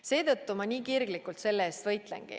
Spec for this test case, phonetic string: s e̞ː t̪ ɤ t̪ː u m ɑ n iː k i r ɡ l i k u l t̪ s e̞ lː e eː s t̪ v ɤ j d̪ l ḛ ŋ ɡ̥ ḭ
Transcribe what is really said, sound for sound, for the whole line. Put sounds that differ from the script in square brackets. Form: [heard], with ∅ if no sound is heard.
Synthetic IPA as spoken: s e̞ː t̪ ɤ t̪ː u m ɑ n iː k i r ɡ l i k u l t̪ s e̞ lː e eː s t̪ v ɤ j [t̪] l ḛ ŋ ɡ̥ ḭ